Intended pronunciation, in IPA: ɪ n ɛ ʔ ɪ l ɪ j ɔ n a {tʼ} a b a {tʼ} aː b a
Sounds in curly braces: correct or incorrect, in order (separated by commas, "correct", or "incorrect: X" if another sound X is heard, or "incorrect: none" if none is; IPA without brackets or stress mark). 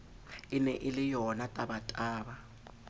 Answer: correct, correct